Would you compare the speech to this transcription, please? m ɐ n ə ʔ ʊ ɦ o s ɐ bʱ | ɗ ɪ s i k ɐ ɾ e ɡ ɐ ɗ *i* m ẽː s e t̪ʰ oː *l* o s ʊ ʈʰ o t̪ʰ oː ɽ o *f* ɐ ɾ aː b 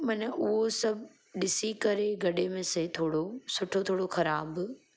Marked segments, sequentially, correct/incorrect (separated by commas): incorrect, incorrect, incorrect